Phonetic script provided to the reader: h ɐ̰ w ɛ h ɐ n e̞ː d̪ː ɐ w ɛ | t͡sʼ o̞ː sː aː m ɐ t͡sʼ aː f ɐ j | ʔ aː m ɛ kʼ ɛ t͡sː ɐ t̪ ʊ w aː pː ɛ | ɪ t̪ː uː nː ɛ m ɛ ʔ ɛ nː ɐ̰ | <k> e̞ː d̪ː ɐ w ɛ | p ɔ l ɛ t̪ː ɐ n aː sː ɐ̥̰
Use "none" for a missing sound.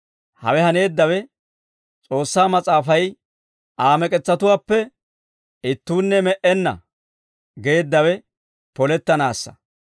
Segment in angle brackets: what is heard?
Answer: ɡ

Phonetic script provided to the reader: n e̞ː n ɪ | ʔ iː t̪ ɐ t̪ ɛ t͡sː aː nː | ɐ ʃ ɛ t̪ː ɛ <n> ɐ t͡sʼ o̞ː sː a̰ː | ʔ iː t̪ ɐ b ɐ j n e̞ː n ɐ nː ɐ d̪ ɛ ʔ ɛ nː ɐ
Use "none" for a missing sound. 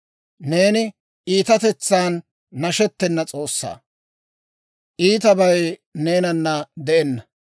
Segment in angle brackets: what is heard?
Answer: nː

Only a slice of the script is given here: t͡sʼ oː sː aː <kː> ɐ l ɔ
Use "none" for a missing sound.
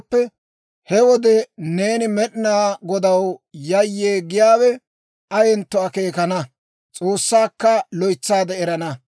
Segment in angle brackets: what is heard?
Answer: kː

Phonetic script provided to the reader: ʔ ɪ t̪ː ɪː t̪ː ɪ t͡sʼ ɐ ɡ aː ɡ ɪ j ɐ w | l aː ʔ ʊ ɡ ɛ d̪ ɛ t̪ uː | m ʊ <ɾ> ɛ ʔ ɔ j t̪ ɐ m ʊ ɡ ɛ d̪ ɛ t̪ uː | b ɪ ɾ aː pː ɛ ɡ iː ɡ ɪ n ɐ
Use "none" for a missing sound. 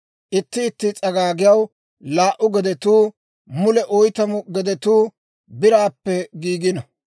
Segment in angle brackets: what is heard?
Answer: l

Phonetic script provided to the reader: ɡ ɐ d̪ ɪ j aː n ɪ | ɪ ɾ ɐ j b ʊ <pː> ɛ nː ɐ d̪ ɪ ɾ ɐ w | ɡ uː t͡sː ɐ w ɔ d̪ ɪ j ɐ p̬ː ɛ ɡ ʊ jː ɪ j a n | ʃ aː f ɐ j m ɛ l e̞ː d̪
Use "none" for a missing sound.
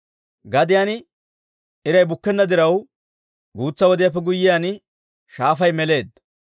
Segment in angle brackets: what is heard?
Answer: kː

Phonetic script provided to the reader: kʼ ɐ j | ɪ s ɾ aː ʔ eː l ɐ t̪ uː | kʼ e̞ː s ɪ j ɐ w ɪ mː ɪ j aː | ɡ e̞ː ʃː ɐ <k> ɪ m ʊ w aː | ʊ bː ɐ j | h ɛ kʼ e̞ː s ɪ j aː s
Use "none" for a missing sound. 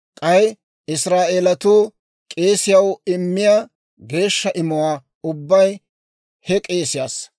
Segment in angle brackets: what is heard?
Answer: ʔ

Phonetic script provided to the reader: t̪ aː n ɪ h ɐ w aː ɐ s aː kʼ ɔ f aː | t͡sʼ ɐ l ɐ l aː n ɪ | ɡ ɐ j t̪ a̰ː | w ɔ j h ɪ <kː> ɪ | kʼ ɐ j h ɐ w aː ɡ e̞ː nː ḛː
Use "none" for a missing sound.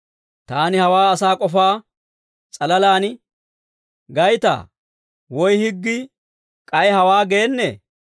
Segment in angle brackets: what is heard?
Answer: ɡː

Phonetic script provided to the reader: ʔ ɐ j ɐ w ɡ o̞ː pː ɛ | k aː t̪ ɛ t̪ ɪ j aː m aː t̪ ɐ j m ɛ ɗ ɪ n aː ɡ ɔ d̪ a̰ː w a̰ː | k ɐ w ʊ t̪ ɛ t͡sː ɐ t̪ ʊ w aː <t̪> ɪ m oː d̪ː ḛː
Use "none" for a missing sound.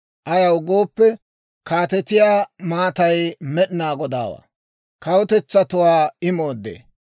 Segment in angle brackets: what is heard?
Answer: none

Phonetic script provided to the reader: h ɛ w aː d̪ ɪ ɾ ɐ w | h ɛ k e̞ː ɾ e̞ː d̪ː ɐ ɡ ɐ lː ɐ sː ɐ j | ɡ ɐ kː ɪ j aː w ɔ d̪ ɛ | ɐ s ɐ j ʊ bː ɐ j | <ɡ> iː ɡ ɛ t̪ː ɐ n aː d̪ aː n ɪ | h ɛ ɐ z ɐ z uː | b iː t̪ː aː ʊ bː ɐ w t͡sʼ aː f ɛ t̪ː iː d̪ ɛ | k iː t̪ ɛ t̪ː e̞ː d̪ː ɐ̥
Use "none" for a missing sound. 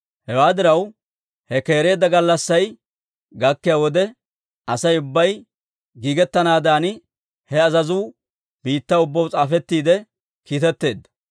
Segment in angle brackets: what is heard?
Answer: ɡ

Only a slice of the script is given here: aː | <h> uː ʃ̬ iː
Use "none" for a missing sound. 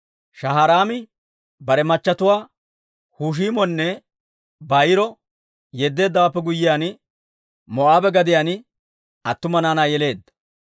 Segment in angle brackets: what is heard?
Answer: h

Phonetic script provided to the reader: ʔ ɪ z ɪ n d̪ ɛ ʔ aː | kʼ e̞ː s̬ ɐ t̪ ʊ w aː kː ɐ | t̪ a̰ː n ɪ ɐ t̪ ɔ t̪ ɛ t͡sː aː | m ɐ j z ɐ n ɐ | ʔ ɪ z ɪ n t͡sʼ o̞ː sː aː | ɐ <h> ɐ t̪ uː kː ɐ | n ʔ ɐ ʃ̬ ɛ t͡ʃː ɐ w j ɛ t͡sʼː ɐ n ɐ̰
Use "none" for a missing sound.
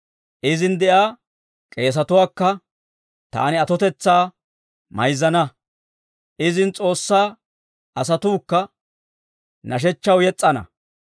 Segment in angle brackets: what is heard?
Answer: s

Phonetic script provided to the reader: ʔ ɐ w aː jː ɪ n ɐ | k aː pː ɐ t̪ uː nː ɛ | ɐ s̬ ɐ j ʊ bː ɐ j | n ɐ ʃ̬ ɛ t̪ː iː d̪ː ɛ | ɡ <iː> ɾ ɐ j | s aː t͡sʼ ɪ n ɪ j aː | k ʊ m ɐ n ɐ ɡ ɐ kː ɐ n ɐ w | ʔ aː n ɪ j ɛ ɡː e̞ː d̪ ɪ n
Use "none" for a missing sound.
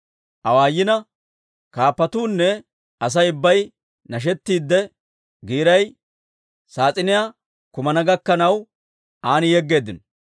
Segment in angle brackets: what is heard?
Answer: iː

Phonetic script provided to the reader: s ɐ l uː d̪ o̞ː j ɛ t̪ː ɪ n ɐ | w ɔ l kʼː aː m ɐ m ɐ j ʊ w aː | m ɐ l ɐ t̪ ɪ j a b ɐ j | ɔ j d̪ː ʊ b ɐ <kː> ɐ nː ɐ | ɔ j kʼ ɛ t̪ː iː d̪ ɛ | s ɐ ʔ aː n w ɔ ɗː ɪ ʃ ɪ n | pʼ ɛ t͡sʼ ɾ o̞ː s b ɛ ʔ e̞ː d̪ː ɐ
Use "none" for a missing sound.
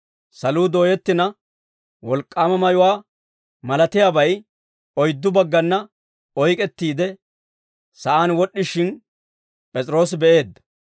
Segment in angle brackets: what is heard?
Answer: ɡː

